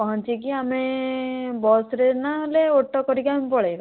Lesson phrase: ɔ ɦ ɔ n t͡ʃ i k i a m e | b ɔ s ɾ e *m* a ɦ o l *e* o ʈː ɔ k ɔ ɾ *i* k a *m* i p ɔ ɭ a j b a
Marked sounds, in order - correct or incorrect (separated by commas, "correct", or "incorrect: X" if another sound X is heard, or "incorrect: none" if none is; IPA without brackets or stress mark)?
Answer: incorrect: n, correct, correct, correct